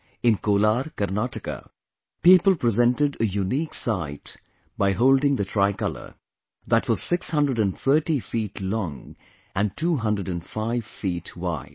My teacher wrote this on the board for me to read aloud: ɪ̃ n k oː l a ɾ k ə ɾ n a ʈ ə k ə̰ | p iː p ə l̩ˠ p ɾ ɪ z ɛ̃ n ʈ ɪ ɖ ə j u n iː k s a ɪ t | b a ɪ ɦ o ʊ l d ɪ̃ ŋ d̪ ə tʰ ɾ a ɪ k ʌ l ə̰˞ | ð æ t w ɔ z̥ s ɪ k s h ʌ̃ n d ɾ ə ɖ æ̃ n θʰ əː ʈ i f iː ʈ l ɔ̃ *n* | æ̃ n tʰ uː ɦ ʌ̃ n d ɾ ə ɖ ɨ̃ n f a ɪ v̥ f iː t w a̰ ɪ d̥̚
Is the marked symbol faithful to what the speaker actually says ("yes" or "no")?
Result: no